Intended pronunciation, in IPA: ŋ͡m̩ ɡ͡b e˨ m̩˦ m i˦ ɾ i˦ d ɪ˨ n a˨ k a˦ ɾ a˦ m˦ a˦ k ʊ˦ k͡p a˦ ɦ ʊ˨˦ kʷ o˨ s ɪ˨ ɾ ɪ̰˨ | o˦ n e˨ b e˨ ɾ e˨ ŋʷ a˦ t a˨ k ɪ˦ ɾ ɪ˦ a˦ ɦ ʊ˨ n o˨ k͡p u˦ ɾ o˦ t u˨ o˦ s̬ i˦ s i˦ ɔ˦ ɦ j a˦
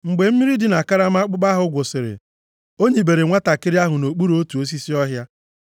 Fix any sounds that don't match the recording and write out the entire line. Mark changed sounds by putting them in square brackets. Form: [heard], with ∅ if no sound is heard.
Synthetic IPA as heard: ŋ͡m̩ ɡ͡b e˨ m̩˦ m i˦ ɾ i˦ d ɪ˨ n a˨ k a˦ ɾ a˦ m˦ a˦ [k͡p] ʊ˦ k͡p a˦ ɦ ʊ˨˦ [ɡʷ] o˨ s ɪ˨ ɾ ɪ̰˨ | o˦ [ɲ] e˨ b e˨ ɾ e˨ ŋʷ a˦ t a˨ k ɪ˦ ɾ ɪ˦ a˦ ɦ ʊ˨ n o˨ k͡p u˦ ɾ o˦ t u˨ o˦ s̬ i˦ s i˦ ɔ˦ ɦ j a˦

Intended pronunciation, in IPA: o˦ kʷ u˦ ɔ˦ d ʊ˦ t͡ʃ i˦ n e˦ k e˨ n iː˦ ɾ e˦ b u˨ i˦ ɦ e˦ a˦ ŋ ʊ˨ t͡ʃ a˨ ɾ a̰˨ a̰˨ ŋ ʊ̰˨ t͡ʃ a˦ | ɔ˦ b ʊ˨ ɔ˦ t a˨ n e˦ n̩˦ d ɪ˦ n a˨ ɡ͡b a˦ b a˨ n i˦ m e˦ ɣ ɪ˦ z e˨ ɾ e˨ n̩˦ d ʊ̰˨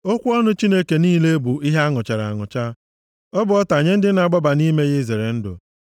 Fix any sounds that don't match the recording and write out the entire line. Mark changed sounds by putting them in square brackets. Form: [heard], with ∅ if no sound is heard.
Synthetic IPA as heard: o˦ kʷ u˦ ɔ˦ [n] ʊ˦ t͡ʃ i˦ n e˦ k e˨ n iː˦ [l] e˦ b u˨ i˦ ɦ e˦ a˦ ŋ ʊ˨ t͡ʃ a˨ ɾ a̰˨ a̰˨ ŋ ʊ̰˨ t͡ʃ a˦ | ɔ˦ b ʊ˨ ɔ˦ t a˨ [ɲ] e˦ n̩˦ d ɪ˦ n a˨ ɡ͡b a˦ b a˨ n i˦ m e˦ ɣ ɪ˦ z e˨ ɾ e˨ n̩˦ d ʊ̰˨

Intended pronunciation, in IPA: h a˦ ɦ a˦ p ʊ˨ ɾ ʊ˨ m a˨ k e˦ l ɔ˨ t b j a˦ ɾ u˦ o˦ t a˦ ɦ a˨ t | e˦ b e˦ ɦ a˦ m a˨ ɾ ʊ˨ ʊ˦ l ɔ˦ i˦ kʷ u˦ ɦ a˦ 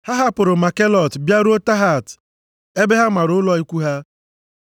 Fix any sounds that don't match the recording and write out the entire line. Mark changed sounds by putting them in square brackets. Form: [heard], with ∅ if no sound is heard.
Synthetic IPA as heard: h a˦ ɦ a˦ p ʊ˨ ɾ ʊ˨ m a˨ k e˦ l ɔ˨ t b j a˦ ɾ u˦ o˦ t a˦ ɦ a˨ t | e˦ b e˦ ɦ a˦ m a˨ ɾ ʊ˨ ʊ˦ l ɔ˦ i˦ kʷ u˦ ɦ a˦

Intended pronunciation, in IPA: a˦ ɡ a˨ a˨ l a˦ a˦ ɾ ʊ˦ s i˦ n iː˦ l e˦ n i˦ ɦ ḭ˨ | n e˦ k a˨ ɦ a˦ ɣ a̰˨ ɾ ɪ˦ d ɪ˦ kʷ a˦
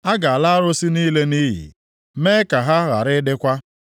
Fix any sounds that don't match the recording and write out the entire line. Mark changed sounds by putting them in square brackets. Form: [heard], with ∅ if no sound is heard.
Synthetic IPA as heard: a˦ ɡ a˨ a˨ l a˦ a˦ ɾ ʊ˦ s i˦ n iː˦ l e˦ n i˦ ɦ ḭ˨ | [m] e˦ k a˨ ɦ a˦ ɣ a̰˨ ɾ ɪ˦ d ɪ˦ kʷ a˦

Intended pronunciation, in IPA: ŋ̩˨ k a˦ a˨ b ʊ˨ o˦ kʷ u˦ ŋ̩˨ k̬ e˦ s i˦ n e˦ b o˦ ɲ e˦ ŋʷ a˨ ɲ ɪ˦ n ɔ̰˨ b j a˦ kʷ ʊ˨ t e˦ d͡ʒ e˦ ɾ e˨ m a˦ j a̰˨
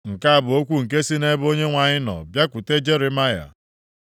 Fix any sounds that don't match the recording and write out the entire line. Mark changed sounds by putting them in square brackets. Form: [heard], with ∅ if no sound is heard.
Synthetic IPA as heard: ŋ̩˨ k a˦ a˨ b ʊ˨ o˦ kʷ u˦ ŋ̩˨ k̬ e˦ s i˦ n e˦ b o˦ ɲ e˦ ŋʷ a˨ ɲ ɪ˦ n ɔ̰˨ b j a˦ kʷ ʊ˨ t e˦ d͡ʒ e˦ ɾ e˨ m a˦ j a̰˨

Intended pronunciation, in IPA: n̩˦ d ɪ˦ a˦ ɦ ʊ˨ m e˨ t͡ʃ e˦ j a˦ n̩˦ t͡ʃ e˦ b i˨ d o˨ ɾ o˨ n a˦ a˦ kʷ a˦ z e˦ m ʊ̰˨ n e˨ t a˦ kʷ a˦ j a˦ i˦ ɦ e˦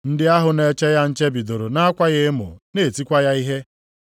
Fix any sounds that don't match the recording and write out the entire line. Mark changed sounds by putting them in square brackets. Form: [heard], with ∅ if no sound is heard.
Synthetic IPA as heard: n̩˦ d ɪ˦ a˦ ɦ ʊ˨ [n] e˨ t͡ʃ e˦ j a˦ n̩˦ t͡ʃ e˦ b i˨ d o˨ ɾ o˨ n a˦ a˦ kʷ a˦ [ɣ] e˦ m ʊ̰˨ n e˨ t [i˦] kʷ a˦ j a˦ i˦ ɦ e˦

